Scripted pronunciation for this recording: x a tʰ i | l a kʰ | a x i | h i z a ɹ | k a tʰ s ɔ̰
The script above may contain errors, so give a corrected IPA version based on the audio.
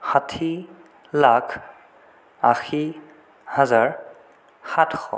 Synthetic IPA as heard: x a tʰ i | l a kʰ | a x i | h a z a ɹ | x a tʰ x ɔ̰